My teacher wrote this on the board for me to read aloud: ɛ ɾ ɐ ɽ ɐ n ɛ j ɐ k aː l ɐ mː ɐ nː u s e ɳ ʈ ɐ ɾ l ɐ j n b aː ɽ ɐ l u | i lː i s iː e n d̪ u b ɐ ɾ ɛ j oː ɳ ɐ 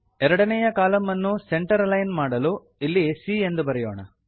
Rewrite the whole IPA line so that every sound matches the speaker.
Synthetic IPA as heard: ɛ ɾ ɐ ɽ ɐ n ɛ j ɐ k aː l ɐ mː ɐ nː u s e ɳ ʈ ɐ ɾ l ɐ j n m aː ɽ ɐ l u | i lː i s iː e n d̪ u b ɐ ɾ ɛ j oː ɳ ɐ